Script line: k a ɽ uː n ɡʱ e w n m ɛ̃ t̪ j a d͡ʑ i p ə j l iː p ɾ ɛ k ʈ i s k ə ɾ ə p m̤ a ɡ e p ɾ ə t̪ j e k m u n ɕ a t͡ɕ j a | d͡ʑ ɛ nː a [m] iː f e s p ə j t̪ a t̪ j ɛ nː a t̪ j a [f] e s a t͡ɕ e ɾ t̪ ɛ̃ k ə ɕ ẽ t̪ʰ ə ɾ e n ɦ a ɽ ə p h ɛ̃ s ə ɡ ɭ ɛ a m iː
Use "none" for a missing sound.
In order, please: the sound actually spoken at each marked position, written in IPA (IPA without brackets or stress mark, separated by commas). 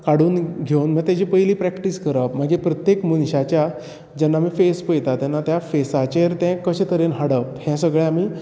m, f